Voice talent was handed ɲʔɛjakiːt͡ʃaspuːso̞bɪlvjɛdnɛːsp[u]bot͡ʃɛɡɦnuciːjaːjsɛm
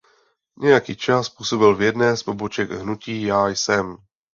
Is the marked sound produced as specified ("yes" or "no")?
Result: no